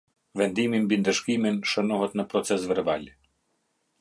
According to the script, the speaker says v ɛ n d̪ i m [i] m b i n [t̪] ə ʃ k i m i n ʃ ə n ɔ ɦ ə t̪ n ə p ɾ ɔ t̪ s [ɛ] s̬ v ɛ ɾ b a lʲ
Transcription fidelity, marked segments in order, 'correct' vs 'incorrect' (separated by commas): correct, incorrect, correct